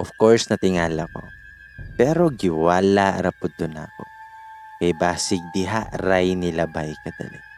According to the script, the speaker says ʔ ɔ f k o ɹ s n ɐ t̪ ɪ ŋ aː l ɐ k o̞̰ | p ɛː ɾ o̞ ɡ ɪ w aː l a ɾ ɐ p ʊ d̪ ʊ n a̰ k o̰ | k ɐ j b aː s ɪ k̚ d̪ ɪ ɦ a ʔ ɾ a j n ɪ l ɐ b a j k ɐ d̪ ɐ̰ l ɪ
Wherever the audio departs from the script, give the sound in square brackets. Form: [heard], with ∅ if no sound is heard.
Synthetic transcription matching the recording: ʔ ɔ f k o ɹ s n ɐ t̪ ɪ ŋ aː l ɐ k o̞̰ | p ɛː ɾ o̞ ɡ ɪ w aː l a ɾ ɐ p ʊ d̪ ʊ n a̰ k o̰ | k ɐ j b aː s ɪ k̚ d̪ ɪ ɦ a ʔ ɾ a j n ɪ l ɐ b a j k ɐ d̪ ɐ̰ l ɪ